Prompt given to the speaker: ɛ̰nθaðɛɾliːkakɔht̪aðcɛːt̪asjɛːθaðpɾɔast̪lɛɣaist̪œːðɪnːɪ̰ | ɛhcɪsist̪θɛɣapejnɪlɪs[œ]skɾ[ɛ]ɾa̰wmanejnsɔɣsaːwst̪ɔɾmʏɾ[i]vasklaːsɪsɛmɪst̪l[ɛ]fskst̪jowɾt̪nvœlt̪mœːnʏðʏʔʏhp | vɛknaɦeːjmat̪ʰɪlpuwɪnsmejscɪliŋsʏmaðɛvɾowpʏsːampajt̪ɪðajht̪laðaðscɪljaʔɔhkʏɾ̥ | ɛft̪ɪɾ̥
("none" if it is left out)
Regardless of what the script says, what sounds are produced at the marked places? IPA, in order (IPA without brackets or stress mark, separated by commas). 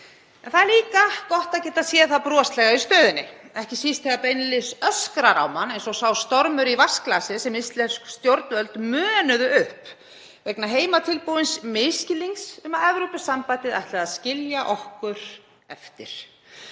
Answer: œ, a, i, ɛ